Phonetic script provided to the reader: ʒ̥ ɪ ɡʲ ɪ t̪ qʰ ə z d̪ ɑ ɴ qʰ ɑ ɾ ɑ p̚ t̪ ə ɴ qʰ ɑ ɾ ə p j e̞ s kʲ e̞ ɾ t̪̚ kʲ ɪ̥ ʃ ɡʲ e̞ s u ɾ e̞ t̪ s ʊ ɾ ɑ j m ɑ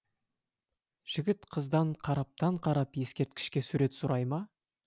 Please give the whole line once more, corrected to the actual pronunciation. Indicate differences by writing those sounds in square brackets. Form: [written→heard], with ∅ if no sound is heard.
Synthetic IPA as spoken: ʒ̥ ɪ ɡʲ ɪ t̪ qʰ ə z d̪ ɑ ɴ qʰ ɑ ɾ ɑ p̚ t̪ [ə→ɑ] ɴ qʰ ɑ ɾ [ə→ɑ] p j e̞ s kʲ e̞ ɾ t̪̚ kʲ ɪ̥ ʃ [ɡʲ→kʲ] e̞ s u ɾ e̞ t̪ s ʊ ɾ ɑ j m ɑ